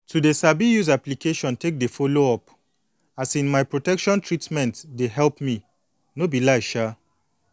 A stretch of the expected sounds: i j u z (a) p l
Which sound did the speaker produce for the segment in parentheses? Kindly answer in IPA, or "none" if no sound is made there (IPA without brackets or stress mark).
a